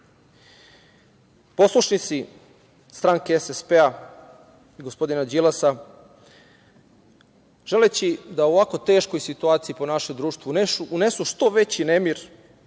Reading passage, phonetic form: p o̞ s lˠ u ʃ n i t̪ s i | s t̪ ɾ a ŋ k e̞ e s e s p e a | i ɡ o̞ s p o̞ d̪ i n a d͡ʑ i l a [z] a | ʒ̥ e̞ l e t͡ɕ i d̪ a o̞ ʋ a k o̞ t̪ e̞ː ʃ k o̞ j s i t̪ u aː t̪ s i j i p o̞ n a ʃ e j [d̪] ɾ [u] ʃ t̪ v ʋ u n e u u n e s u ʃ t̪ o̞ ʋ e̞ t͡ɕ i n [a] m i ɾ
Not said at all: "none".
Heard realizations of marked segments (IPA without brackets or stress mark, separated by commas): s, d̪, uː, e